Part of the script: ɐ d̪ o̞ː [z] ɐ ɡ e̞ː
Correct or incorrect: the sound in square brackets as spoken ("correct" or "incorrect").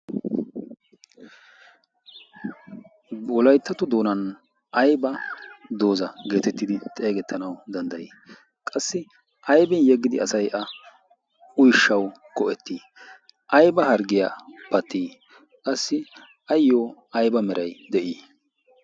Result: correct